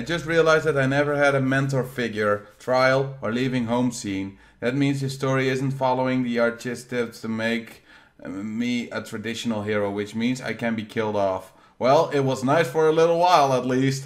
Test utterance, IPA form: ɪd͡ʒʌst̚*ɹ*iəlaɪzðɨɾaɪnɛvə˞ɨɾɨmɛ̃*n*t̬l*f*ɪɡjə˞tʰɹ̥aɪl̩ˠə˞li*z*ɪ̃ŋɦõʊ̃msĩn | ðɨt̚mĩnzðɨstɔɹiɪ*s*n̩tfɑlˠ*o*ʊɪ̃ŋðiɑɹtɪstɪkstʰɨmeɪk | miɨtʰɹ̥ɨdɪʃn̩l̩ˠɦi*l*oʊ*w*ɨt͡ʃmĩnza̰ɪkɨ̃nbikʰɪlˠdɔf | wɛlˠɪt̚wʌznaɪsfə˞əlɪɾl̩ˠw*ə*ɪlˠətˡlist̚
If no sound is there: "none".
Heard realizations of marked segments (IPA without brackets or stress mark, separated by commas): ɹ, n, f, v, z, o, ɹ, w, a